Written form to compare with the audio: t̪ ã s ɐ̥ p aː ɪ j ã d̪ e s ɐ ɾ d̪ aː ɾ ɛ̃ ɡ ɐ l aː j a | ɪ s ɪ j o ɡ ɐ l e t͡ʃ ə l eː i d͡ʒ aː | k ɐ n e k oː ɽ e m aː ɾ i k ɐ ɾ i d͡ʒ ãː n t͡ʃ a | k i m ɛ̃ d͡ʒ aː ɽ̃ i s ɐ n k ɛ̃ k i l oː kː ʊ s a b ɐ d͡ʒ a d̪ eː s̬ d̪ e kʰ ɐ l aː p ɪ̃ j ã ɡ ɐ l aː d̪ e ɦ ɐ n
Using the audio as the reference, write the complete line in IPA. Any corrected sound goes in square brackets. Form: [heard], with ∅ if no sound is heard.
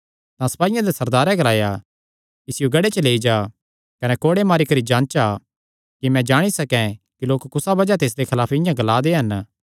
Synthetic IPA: t̪ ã s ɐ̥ p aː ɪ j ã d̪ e s ɐ ɾ d̪ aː ɾ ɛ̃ ɡ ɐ l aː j a | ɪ s ɪ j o ɡ ɐ [ɽ] e t͡ʃ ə l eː i d͡ʒ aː | k ɐ n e k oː ɽ e m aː ɾ i k ɐ ɾ i d͡ʒ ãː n t͡ʃ a | k i m ɛ̃ d͡ʒ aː ɽ̃ i s ɐ [∅] k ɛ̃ k i l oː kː ʊ s a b ɐ d͡ʒ a [t̪] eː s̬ d̪ e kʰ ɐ l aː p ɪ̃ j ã ɡ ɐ l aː d̪ e ɦ ɐ n